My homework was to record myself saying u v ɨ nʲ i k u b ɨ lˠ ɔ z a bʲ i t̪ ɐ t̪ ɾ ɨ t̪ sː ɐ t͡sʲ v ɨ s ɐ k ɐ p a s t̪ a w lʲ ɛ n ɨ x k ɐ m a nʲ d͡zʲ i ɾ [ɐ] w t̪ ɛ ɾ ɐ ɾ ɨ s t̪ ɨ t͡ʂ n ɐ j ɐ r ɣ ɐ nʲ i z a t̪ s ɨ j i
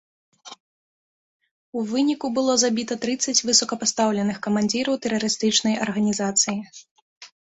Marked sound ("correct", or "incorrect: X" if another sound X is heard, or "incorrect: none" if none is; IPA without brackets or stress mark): correct